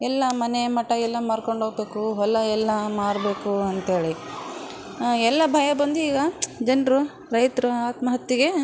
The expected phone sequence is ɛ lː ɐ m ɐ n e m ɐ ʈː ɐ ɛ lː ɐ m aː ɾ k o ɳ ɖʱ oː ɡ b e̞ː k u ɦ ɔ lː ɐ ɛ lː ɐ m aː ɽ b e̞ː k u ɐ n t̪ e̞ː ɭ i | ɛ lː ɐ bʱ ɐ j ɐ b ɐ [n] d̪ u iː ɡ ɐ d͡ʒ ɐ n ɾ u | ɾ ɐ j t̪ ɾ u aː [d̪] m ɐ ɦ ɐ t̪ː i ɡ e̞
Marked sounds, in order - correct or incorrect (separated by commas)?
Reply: correct, incorrect